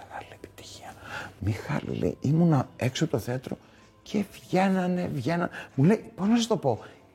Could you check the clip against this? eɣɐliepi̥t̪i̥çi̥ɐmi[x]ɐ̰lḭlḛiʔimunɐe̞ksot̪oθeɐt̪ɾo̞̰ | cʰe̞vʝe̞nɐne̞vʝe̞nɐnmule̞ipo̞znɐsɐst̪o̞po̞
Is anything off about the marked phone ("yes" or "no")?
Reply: no